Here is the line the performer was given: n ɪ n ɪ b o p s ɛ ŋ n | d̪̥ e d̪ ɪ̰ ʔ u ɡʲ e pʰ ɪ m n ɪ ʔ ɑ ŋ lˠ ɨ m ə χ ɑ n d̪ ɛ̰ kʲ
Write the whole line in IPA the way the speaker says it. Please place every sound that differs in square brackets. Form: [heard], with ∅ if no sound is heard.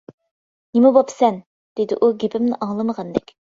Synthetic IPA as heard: n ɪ [m] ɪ b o p s ɛ [∅] n | d̪̥ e d̪ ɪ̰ ʔ u ɡʲ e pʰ ɪ m n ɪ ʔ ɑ ŋ lˠ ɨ m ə [ʁ] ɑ n d̪ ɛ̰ kʲ